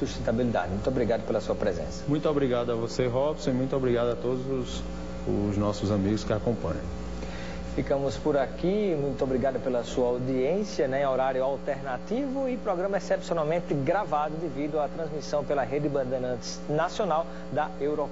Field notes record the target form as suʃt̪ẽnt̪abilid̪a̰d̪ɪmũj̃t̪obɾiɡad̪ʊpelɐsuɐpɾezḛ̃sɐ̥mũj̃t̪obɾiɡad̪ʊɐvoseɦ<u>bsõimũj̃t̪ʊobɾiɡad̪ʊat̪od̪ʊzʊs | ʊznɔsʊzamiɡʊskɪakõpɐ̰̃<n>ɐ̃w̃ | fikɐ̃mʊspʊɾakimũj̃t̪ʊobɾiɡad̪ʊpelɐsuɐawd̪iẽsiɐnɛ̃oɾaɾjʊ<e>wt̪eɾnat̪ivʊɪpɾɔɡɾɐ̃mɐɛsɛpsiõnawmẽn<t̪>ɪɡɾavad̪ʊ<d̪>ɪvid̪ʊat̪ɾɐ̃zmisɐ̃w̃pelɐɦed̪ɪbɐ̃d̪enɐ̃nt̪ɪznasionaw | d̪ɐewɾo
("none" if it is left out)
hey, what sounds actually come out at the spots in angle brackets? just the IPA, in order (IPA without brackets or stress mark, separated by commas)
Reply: ɔ, ɲ, a, t̪, d̪